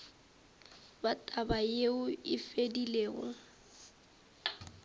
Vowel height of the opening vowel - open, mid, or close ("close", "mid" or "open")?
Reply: open